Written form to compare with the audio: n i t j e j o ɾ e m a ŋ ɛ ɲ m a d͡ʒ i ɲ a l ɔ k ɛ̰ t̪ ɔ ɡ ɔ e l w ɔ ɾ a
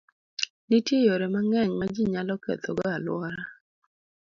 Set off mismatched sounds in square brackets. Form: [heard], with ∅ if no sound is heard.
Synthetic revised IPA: n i t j e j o ɾ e m a ŋ ɛ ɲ m a d͡ʒ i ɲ a l ɔ k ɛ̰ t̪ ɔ ɡ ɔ [a] l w ɔ ɾ a